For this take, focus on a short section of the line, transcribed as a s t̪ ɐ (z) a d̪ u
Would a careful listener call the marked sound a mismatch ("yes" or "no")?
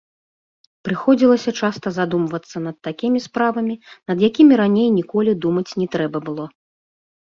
no